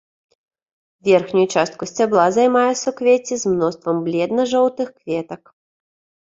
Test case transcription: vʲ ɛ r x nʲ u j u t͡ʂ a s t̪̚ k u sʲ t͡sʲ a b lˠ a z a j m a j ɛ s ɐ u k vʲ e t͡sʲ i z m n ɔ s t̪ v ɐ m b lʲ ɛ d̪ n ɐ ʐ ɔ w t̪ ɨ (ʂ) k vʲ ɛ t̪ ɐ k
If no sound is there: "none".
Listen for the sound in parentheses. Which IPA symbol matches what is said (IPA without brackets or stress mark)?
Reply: x